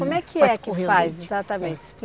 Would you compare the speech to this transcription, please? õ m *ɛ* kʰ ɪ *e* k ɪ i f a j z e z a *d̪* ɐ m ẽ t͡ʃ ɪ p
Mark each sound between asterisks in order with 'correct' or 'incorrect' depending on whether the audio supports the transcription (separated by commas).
correct, incorrect, incorrect